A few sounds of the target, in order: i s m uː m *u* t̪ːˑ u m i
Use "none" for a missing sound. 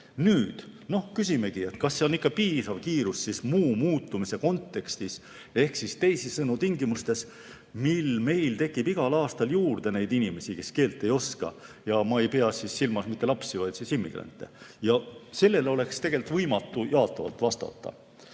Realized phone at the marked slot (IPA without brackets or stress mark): uː